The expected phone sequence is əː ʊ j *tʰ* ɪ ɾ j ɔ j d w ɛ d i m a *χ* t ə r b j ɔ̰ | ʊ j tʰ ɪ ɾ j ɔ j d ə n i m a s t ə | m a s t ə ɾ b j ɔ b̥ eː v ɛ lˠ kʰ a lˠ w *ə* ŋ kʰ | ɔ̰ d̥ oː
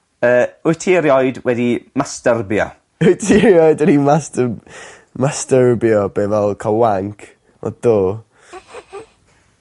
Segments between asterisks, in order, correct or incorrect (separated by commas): correct, incorrect, incorrect